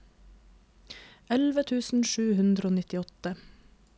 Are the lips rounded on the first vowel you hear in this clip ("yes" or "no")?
no